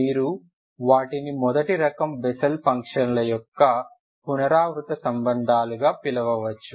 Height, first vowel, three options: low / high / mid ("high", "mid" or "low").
high